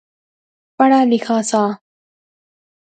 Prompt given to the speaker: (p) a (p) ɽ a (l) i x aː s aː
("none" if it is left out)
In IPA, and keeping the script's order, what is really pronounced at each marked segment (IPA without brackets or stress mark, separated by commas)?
p, none, l